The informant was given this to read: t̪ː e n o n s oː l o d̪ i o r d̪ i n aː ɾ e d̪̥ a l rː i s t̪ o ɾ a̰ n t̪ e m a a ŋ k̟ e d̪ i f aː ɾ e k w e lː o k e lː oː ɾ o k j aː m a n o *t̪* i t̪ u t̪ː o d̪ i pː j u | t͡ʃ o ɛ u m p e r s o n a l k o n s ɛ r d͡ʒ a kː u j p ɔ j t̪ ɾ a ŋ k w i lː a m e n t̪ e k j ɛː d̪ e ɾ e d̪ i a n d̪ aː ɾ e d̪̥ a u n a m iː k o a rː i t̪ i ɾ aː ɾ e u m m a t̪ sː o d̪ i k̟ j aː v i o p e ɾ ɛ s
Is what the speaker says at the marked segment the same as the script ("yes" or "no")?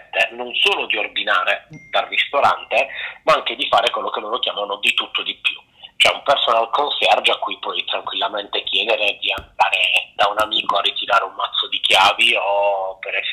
no